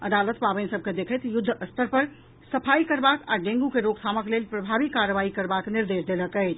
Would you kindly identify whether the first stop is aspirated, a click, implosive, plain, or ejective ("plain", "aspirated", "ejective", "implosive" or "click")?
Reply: plain